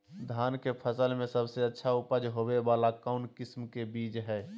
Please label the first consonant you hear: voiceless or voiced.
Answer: voiced